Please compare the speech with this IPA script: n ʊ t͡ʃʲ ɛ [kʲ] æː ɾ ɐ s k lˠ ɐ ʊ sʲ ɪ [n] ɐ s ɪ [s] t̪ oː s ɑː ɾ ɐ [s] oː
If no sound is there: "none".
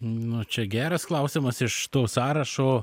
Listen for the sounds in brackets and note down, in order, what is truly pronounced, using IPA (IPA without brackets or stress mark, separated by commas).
ɡʲ, m, ʃ, ʃ